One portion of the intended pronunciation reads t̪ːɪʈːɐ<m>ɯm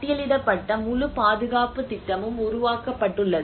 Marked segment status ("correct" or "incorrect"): correct